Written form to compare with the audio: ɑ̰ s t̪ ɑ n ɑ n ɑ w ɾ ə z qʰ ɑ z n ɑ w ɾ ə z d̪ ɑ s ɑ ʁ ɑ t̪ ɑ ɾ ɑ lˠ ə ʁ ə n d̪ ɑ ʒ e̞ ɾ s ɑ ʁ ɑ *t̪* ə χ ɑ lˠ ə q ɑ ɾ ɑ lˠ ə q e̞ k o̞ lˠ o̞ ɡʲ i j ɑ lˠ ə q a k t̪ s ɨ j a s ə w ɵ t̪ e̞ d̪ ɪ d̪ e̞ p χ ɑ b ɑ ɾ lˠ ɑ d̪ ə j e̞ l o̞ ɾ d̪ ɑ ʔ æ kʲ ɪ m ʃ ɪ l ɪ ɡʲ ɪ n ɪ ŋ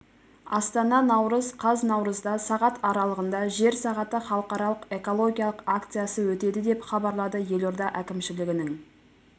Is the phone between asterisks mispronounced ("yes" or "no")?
no